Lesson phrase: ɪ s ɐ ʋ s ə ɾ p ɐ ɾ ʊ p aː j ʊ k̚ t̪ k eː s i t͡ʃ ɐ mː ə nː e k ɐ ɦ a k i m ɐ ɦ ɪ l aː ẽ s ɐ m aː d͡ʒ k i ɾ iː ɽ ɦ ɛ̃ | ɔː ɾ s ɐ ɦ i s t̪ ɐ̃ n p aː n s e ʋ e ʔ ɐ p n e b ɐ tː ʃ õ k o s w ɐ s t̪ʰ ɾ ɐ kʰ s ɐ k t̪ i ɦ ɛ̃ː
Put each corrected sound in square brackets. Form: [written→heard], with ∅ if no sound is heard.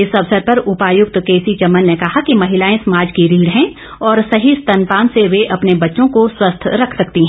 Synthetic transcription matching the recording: ɪ s ɐ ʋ s ə ɾ p ɐ ɾ ʊ p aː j ʊ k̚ t̪ k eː s i t͡ʃ ɐ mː ə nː e k ɐ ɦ a k i m ɐ ɦ ɪ l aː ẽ s ɐ m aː d͡ʒ k i ɾ iː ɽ ɦ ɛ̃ | ɔː ɾ s ɐ ɦ i s t̪ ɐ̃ n p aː n s e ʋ e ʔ ɐ p n e b ɐ tː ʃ õ k o s w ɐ s t̪ʰ ɾ ɐ kʰ s ɐ k t̪ i ɦ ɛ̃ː